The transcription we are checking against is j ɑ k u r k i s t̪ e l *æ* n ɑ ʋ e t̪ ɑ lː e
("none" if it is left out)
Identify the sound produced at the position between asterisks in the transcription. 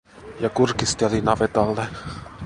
i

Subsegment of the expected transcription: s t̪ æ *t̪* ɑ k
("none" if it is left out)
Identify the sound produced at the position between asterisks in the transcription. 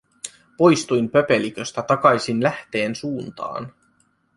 t̪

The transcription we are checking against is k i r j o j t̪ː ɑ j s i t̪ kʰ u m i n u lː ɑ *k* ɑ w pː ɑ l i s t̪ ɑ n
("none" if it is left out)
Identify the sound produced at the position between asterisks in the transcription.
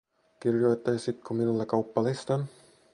k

